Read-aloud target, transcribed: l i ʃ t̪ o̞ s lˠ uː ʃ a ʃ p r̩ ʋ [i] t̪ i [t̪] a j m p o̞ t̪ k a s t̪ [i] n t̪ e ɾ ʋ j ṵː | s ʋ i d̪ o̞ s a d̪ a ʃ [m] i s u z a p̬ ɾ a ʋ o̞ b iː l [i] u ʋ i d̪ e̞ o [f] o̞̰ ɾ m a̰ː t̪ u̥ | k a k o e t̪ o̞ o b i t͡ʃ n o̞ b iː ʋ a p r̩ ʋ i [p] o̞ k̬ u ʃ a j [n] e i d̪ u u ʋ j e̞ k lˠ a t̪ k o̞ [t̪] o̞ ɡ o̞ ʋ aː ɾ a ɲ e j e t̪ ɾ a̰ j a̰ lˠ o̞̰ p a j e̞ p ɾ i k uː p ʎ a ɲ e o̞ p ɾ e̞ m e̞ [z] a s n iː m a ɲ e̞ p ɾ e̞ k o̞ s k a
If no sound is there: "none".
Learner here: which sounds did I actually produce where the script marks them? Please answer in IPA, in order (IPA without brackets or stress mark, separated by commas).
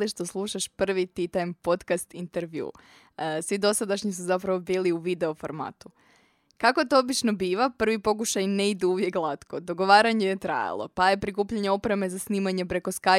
i, t̪, i, ɲ, i, f, p, n, d̪, z